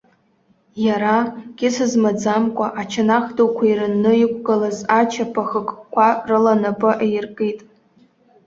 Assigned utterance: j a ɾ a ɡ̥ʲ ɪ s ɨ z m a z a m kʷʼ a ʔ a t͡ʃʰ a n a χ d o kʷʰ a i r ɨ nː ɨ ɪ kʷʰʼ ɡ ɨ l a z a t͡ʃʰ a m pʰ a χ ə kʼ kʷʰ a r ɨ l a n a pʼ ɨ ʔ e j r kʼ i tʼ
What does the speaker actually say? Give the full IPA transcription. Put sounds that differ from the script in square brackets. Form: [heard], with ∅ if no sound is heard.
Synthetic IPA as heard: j a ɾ a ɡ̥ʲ ɪ s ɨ z m a [d͡z] a m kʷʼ a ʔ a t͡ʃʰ a n a χ d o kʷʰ a i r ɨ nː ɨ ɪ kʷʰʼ ɡ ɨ l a z a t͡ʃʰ a [∅] pʰ a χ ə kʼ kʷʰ a r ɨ l a n a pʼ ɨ ʔ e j r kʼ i tʼ

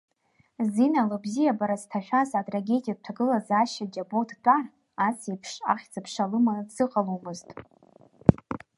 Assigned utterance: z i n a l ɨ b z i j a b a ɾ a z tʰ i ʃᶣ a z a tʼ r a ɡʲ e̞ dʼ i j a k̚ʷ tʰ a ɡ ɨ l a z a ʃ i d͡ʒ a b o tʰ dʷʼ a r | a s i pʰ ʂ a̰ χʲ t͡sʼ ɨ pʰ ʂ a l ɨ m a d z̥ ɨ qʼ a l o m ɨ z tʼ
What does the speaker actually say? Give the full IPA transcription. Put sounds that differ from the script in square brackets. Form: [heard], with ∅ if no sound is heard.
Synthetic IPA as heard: z i n a l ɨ b z i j a b a ɾ a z tʰ [a] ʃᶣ a z a tʼ r a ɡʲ e̞ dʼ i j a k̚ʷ tʰ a ɡ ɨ l a z a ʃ [a] d͡ʒ a b o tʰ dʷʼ a r | a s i pʰ ʂ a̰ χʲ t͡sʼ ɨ pʰ ʂ a l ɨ m a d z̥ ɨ qʼ a l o m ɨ z tʼ

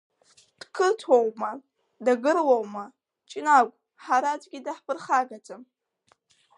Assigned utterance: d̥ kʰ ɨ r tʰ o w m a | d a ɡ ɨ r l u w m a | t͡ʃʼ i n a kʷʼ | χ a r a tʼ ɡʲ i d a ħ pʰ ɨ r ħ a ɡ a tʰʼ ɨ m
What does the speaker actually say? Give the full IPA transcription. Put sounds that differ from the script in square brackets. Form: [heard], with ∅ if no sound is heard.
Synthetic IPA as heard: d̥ kʰ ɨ r tʰ o w m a | d a ɡ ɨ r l [o] w m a | t͡ʃʼ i n a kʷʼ | [ħ] a [ɾ] a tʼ ɡʲ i d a ħ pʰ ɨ r [χ] a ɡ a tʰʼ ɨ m

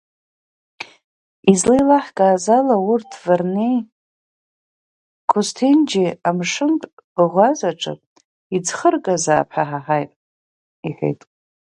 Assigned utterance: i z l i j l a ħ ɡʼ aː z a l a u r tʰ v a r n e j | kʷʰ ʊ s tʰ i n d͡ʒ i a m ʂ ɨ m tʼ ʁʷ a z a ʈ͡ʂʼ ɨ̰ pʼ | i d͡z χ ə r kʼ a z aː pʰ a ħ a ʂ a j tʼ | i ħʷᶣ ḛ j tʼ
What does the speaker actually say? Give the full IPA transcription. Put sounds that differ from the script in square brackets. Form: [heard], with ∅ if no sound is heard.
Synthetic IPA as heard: i z l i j l a ħ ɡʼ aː z a l a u r tʰ v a r n e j | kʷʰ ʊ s tʰ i n d͡ʒ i a m ʂ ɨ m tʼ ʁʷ a z a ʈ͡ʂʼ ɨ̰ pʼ | i d͡z χ ə r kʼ a z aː pʰ a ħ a [ħ] a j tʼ | i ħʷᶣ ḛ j tʼ

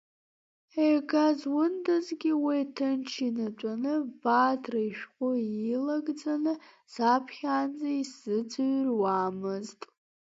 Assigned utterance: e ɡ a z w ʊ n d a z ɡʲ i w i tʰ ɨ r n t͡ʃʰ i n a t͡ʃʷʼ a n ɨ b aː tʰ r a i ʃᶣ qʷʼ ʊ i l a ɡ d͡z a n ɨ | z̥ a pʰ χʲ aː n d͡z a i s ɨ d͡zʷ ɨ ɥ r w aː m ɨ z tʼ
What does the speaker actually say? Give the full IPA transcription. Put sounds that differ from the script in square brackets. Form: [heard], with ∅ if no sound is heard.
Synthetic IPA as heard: e ɡ a z w ʊ n d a z ɡʲ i w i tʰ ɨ [∅] n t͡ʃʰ i n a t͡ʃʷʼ a n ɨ b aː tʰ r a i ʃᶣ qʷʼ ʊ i l a ɡ d͡z a n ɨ | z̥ a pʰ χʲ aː n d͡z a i s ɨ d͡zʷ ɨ ɥ r w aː m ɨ z tʼ

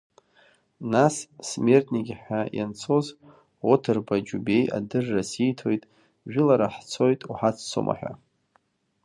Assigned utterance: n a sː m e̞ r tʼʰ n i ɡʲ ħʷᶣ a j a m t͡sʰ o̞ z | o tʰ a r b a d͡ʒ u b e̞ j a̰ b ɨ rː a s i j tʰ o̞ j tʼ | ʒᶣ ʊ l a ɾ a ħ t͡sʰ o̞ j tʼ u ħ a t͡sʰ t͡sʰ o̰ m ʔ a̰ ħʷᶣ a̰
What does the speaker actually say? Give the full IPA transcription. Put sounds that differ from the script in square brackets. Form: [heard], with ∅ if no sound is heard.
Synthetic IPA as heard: n a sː m e̞ r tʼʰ n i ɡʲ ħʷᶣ a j a [n] t͡sʰ o̞ z | o tʰ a r b a d͡ʒ u b e̞ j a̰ [d] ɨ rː a s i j tʰ o̞ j tʼ | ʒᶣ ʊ l a ɾ a ħ t͡sʰ o̞ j tʼ u ħ a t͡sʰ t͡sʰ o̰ m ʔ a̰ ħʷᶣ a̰

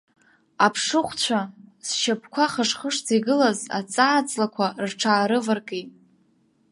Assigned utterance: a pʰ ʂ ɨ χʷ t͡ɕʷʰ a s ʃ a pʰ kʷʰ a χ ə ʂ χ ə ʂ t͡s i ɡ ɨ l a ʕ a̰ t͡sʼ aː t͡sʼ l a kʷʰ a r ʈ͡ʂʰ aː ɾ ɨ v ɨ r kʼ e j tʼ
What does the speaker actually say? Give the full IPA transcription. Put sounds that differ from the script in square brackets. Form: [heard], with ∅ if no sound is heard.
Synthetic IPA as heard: a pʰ ʂ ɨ χʷ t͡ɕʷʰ a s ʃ a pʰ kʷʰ a χ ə ʂ χ ə ʂ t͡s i ɡ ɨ l a [z] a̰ t͡sʼ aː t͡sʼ l a kʷʰ a r ʈ͡ʂʰ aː ɾ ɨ v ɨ r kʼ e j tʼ

